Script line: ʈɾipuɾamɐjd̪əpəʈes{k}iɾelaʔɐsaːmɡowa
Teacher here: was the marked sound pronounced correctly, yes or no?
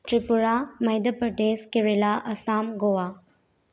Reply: yes